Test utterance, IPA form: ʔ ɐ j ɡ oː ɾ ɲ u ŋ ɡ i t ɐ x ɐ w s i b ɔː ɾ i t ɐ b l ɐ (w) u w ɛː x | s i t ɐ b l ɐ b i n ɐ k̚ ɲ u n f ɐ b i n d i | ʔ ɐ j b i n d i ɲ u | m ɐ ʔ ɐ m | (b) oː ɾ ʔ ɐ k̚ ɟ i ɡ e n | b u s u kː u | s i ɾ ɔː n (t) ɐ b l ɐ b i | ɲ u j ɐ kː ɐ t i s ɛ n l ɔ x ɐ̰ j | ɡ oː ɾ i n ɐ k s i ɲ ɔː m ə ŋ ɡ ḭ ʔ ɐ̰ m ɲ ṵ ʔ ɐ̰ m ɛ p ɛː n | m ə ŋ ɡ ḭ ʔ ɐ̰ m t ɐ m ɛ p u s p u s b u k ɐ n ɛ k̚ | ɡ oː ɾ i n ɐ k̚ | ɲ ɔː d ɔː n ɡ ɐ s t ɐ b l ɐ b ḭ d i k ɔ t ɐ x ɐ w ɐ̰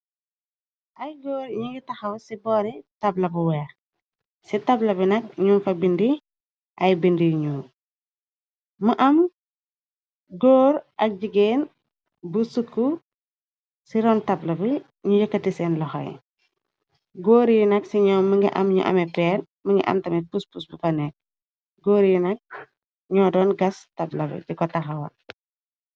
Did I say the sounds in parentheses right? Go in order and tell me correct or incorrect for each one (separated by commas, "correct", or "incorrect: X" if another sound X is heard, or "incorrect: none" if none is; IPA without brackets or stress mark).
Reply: incorrect: b, incorrect: ɡ, correct